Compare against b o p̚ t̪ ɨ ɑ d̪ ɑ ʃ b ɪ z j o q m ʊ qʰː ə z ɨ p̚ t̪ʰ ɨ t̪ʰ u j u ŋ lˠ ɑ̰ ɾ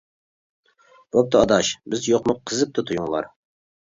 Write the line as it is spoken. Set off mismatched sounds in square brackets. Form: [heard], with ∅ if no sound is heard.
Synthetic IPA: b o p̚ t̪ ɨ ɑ d̪ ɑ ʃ b ɪ z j o q m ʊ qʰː ə z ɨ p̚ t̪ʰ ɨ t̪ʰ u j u ŋ lˠ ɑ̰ ɾ